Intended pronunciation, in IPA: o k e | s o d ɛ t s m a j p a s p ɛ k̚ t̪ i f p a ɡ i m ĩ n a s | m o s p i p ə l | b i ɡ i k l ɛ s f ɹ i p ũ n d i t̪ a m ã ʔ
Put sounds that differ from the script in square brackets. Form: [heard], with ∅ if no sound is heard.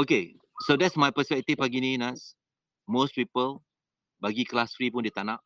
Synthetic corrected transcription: o k e | s o d ɛ t s m a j p [ə] s p ɛ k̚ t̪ i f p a ɡ i [n] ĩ n a s | m o s p i p ə l | b [a] ɡ i k l [a] s f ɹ i p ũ n d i t̪ a [n] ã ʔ